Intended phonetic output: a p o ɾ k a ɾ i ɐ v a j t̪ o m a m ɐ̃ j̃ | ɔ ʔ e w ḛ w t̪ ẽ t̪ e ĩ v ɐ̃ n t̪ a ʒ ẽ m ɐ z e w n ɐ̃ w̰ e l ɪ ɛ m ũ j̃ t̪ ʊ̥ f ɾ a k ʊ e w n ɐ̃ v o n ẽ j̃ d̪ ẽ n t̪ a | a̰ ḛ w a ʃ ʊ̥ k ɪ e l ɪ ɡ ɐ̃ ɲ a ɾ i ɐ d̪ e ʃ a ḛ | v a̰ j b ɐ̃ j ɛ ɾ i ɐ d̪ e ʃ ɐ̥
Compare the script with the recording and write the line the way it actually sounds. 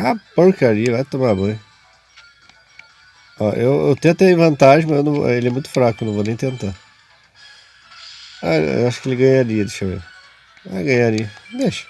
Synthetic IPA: a p o ɾ k a ɾ i ɐ v a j t̪ o m a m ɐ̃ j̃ | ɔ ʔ e w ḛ w t̪ ẽ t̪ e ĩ v ɐ̃ n t̪ a ʒ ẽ m ɐ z e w n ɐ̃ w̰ e l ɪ ɛ m ũ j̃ t̪ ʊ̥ f ɾ a k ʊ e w n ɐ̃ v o n ẽ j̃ t̪ ẽ n t̪ a | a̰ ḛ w a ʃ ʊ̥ k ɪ e l ɪ ɡ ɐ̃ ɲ a ɾ i ɐ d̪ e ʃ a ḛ | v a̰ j ɡ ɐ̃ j a ɾ i ɐ d̪ e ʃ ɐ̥